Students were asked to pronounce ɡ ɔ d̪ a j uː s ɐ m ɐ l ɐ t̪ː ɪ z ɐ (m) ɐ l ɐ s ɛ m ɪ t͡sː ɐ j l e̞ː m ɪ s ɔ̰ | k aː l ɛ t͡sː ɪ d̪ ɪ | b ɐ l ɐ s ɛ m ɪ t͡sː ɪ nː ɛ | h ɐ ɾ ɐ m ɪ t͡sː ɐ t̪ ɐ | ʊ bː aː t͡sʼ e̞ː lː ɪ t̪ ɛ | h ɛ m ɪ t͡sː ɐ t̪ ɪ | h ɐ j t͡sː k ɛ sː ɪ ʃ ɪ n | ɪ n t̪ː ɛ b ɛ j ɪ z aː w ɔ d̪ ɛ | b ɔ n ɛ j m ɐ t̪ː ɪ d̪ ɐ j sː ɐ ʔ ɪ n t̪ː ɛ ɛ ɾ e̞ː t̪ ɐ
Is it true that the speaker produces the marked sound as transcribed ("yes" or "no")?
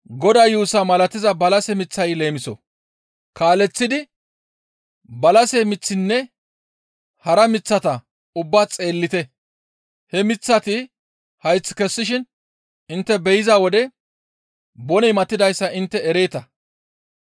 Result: no